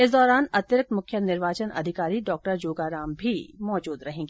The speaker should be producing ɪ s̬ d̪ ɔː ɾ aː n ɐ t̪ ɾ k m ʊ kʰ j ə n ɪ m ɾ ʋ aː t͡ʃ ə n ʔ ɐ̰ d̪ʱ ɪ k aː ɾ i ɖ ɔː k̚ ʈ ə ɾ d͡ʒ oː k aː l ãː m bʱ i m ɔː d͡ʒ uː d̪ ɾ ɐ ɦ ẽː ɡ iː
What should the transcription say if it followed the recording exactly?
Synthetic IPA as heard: ɪ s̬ d̪ ɔː ɾ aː n ɐ t̪ ɾ k m ʊ kʰ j ə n ɪ ɾ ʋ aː t͡ʃ ə n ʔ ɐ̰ d̪ʱ ɪ k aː ɾ i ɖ ɔː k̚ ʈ ə ɾ d͡ʒ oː ɡ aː ɾ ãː m bʱ i m ɔː d͡ʒ uː d̪ ɾ ɐ ɦ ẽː ɡ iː